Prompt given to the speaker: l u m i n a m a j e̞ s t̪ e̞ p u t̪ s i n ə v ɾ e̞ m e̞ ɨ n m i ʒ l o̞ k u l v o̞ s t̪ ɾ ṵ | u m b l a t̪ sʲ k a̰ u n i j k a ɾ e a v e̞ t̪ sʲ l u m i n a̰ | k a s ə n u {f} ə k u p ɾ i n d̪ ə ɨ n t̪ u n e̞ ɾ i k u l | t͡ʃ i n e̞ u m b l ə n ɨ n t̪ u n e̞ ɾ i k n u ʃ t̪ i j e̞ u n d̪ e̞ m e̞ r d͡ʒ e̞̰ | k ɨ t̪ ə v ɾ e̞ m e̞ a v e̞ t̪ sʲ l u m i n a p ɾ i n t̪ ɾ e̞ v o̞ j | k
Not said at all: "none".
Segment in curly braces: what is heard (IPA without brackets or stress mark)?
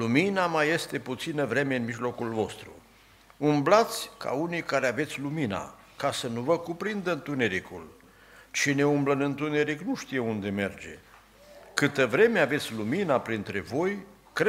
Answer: v